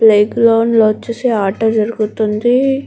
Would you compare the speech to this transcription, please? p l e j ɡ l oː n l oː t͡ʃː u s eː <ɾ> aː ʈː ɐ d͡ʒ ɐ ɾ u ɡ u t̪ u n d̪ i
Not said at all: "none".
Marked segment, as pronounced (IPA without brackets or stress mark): none